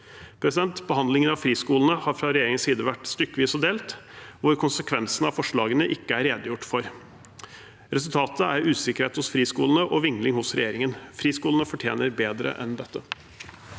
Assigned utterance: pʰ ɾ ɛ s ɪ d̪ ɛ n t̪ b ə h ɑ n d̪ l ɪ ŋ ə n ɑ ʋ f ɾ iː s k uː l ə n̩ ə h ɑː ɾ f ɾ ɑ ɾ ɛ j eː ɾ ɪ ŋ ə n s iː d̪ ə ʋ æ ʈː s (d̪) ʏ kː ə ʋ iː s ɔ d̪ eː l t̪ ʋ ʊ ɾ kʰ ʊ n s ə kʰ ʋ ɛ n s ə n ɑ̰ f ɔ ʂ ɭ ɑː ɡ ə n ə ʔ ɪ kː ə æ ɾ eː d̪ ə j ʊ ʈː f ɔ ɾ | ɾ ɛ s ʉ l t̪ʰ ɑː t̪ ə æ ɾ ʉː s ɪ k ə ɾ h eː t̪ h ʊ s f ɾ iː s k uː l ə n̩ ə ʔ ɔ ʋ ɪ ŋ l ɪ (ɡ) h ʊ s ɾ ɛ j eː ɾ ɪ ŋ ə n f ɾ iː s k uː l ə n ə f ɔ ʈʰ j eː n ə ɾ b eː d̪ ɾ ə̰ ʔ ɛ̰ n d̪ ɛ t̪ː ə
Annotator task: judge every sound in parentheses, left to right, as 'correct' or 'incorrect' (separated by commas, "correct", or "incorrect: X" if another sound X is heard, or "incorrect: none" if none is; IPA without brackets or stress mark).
incorrect: t̪, incorrect: ŋ